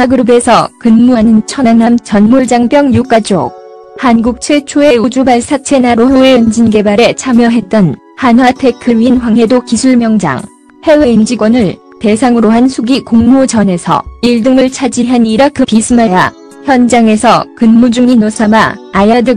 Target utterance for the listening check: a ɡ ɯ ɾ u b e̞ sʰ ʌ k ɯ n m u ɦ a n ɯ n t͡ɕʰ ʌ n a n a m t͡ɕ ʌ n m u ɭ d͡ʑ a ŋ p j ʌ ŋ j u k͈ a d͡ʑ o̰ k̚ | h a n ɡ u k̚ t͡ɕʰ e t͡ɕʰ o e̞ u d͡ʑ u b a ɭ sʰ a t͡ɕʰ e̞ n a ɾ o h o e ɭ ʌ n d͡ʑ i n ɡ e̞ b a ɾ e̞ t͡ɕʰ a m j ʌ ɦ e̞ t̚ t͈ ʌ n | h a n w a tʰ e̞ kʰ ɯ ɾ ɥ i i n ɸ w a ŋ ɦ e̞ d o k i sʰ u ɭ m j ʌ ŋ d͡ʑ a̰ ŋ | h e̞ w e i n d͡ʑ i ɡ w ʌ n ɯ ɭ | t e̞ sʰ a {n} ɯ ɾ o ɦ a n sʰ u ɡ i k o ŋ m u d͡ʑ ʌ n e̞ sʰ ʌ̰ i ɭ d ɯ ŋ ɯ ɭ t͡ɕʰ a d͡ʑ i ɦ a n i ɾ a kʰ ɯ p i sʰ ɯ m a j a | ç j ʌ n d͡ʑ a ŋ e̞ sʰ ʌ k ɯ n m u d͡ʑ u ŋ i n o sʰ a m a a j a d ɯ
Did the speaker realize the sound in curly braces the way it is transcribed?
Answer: no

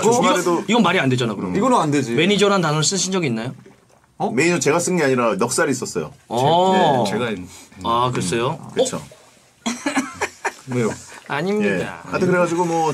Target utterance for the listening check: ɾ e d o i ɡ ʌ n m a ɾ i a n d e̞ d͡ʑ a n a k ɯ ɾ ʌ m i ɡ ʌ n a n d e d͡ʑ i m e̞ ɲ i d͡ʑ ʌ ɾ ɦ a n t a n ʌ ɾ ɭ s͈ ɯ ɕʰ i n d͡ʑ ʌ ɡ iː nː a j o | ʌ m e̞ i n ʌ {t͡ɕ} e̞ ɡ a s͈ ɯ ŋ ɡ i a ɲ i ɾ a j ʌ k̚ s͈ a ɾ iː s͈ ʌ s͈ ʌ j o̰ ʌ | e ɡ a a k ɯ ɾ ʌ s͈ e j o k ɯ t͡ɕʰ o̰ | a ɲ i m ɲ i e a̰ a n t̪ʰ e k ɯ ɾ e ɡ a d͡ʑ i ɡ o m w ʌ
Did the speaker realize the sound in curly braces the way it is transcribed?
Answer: yes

